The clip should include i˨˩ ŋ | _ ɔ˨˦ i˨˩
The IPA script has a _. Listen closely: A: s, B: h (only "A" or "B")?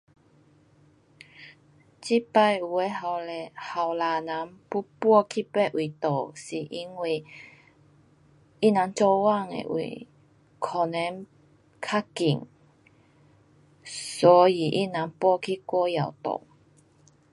A